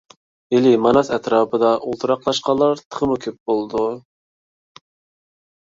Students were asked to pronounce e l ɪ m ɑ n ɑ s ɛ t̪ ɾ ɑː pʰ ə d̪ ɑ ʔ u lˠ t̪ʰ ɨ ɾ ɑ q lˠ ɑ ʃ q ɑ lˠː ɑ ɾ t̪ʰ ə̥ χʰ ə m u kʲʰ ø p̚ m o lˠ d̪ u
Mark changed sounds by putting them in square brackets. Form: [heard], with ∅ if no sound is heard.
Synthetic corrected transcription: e l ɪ m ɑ n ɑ s ɛ t̪ ɾ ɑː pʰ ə d̪ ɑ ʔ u lˠ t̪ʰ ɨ ɾ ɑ q lˠ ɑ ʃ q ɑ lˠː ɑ ɾ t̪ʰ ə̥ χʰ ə m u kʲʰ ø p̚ [b] o lˠ d̪ u